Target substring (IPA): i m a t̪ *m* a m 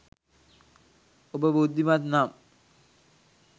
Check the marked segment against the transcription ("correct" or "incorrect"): incorrect